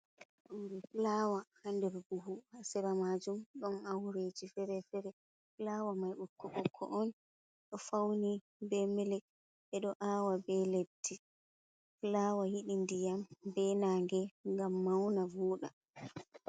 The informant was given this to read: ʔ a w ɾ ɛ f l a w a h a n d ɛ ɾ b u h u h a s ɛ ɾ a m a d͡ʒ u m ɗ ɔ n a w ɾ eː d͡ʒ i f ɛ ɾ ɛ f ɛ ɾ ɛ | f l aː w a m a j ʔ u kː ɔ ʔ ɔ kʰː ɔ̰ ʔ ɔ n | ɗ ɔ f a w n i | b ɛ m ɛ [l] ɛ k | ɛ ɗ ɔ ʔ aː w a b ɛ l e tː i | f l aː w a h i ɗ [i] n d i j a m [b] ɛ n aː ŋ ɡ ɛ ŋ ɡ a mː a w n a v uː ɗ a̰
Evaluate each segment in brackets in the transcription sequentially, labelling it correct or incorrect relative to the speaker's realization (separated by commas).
correct, correct, correct